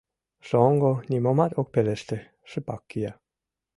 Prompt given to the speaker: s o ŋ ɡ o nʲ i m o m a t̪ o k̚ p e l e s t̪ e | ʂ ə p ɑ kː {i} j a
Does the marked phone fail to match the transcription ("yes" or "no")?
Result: no